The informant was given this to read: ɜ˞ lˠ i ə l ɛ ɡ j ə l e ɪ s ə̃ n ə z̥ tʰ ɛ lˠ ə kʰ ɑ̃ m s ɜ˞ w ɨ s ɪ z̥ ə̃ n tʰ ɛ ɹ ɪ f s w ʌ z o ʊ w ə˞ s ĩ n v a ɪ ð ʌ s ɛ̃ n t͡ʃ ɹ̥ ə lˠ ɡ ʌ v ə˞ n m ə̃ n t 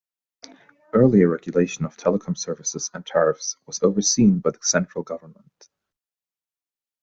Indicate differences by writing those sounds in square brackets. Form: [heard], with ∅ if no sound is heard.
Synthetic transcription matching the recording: ɜ˞ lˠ i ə [ɹ] ɛ ɡ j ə l e ɪ [ʃ] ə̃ n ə [v̥] tʰ ɛ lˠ ə kʰ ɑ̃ m s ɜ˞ [v] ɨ s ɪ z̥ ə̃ n tʰ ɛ ɹ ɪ f s w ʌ z o ʊ [v] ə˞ s ĩ n [b] a ɪ ð [ə] s ɛ̃ n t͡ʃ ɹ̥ ə lˠ ɡ ʌ v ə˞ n m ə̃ n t